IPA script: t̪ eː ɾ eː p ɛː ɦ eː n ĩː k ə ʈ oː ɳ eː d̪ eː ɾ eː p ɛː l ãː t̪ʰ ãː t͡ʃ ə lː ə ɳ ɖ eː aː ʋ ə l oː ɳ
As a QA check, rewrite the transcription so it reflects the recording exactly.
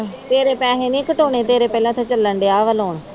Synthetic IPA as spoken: t̪ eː ɾ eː p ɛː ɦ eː n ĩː k ə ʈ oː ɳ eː t̪ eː ɾ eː p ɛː l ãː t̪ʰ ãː t͡ʃ ə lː ə ɳ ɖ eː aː ʋ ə l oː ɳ